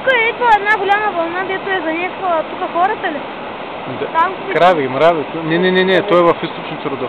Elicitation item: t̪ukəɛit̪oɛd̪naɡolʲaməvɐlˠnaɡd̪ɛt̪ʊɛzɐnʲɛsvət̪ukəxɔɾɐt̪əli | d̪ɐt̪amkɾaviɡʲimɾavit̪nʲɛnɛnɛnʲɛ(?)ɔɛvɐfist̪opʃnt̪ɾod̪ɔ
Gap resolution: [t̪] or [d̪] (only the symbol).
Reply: t̪